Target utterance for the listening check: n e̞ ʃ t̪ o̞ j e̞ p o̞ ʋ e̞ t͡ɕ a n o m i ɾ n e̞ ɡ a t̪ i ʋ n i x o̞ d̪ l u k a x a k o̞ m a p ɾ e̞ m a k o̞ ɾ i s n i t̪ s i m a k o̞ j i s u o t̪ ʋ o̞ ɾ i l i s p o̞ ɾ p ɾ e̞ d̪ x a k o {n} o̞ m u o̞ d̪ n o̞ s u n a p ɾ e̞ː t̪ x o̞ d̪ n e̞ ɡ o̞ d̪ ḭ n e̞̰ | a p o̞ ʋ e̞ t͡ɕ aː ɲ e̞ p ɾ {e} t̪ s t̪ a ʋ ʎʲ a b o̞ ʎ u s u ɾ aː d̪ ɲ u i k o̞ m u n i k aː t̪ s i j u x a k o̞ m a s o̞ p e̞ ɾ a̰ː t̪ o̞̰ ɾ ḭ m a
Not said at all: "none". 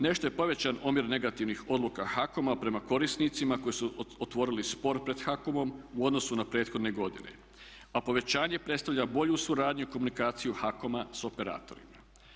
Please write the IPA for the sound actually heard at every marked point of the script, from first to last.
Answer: m, e

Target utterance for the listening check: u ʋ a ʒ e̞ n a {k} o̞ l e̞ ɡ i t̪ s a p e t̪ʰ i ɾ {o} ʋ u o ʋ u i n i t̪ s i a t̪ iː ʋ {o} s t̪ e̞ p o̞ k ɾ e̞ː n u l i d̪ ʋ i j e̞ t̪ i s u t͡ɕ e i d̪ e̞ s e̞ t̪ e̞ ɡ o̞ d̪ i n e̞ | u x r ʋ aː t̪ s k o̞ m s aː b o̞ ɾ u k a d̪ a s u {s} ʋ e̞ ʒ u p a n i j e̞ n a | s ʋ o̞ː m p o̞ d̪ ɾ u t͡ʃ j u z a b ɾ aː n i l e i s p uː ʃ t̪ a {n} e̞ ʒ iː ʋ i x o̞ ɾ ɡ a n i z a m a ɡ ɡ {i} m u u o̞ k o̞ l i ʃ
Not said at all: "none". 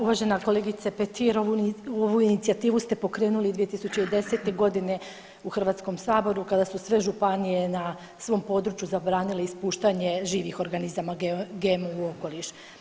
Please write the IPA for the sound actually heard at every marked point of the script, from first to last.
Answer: k, o, u, s, ɲ, e

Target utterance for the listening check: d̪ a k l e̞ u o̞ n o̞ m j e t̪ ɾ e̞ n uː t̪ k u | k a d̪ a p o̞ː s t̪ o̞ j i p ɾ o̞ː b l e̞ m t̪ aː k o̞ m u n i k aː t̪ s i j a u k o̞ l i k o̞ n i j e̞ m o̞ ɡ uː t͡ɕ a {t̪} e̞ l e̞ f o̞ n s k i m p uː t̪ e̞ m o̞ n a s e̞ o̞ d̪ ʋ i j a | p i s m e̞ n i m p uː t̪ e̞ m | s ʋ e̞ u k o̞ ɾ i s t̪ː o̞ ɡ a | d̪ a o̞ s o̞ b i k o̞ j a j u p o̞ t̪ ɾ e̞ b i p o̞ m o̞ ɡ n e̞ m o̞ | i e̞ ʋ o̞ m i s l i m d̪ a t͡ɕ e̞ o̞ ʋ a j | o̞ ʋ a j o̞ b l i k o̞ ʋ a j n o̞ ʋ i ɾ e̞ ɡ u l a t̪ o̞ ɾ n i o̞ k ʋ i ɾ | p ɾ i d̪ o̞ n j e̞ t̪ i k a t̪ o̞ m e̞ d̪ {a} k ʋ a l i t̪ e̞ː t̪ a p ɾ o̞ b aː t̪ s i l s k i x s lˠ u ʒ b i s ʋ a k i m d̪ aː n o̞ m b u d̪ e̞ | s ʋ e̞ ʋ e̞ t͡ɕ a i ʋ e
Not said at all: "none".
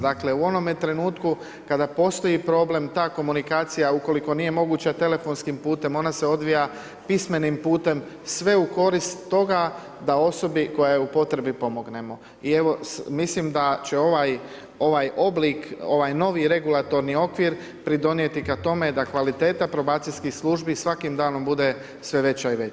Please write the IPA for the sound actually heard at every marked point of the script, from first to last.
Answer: t̪, a

